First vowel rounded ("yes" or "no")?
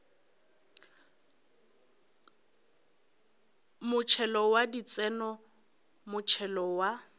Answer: yes